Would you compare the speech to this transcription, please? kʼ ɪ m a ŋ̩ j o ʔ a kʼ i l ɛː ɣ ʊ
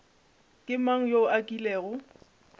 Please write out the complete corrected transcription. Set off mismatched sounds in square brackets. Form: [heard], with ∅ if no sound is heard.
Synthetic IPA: kʼ ɪ m a ŋ̩ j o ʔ a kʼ i l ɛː ɣ ʊ